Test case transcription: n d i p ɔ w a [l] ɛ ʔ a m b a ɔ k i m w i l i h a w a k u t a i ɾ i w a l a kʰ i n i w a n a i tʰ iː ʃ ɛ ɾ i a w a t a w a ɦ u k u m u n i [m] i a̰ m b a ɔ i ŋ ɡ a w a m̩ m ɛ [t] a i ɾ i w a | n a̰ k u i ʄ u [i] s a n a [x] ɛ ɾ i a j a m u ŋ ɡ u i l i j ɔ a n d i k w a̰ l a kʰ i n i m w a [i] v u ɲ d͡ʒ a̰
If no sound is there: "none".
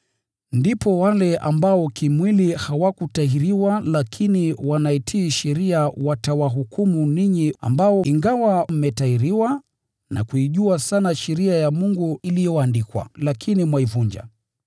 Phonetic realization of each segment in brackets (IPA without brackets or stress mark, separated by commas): l, ɲ, t, a, ʃ, i